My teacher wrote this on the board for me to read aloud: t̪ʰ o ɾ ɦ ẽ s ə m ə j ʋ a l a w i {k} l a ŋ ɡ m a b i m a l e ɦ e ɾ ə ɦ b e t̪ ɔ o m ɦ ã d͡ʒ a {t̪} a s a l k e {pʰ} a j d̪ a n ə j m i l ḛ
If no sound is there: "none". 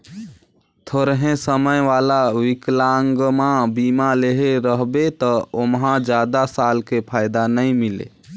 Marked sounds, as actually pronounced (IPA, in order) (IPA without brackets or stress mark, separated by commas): k, d̪, pʰ